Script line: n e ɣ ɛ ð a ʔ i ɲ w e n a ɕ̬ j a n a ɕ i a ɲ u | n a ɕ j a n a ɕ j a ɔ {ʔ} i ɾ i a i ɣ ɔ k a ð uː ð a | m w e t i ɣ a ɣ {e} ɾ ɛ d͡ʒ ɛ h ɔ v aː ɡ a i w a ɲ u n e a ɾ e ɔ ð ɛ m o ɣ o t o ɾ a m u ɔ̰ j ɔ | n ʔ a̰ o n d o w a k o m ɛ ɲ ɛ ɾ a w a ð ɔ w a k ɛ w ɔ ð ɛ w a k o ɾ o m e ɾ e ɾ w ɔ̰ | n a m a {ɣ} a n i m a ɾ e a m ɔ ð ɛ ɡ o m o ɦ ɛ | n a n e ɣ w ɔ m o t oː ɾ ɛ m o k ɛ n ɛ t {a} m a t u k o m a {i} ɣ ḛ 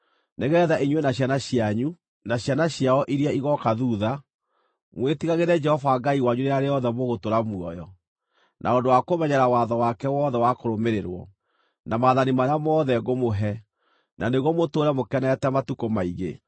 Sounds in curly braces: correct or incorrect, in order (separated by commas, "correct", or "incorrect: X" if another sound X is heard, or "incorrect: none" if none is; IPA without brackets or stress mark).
correct, correct, incorrect: ð, incorrect: ɛ, correct